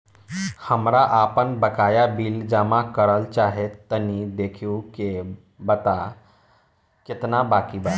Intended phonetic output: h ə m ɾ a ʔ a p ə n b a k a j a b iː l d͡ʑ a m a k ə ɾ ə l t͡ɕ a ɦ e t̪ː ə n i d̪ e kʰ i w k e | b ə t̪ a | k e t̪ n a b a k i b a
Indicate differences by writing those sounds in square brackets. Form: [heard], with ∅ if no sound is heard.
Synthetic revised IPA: h ə m ɾ a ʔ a p ə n b [ə] k a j a b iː l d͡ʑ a m a k ə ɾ ə l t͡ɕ a ɦ e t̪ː ə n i d̪ e kʰ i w k e | b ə t̪ a | k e t̪ n a b a k i b a